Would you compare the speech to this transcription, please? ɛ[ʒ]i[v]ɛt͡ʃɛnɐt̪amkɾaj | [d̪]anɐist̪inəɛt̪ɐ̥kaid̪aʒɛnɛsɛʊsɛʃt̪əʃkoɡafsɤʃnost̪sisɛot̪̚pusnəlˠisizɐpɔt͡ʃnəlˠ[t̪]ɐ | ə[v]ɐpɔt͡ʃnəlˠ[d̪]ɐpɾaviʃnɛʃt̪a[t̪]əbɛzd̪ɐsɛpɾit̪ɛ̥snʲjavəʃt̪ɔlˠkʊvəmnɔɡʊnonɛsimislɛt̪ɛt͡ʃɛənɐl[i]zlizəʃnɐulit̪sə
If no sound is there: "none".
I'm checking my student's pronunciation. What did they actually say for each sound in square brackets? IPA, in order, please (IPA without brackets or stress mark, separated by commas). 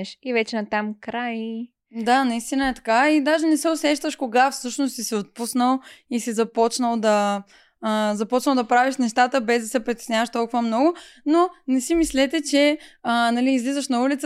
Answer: ʃ, v, d̪, d̪, z, d̪, t̪, iː